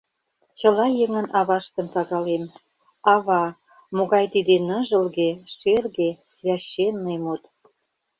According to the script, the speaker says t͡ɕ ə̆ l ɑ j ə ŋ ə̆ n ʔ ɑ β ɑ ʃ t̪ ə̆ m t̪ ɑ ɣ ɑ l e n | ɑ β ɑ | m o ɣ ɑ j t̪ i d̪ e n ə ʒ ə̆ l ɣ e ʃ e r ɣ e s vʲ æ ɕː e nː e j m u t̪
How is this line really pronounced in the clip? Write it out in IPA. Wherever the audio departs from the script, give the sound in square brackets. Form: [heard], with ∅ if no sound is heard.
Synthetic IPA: t͡ɕ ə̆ l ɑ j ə ŋ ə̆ n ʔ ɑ β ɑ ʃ t̪ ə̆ m t̪ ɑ ɣ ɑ l e [m] | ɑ β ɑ | m o ɣ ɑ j t̪ i d̪ e n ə ʒ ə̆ l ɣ e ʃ e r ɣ e s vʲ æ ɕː e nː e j m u t̪